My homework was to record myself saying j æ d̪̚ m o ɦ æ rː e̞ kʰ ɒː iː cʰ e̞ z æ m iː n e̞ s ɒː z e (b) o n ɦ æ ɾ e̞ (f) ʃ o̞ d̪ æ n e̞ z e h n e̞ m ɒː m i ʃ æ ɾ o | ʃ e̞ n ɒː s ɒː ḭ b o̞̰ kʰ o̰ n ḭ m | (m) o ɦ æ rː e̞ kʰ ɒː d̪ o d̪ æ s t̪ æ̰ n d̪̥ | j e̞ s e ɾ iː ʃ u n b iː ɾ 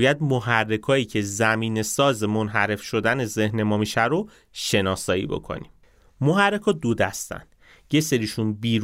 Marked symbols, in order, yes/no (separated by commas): no, yes, yes